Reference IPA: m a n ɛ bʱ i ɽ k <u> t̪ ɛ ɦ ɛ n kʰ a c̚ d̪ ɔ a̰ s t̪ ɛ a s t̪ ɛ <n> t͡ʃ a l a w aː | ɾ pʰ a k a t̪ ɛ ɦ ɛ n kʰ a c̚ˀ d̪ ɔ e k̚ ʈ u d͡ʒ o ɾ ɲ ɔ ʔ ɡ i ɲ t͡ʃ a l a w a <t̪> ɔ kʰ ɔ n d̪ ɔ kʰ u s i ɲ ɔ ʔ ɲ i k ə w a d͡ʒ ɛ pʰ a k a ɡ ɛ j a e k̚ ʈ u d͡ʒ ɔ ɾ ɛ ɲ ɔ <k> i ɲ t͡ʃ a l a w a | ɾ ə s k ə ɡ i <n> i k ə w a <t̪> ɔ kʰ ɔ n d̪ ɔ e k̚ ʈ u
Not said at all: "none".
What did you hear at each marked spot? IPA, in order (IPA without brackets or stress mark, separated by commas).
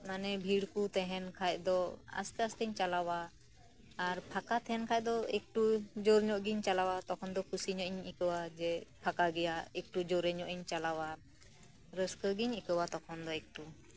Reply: u, ɲ, t̪, ʔ, ɲ, t̪